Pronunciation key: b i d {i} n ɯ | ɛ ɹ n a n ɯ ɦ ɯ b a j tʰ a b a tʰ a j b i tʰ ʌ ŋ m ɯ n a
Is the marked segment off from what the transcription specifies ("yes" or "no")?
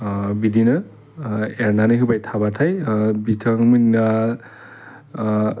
no